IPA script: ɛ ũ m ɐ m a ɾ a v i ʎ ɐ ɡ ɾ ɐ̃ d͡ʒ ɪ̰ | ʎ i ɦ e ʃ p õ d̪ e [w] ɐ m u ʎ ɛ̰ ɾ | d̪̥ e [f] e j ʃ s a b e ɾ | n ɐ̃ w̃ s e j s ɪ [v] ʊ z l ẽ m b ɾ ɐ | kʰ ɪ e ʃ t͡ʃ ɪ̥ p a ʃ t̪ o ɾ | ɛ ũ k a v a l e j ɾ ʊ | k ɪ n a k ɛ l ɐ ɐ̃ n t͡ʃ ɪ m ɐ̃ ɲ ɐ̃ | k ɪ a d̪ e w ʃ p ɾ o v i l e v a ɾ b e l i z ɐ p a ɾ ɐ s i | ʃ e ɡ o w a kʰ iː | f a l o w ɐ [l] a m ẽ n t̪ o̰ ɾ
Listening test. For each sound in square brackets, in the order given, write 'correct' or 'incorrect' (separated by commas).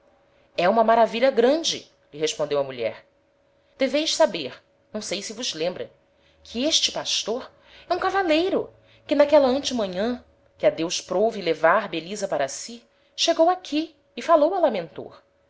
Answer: correct, incorrect, correct, correct